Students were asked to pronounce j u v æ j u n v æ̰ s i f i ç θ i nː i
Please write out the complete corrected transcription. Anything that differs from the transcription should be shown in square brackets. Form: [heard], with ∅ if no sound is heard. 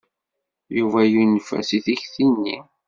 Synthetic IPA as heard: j u v æ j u n [f] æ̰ s i [θ] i ç θ i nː i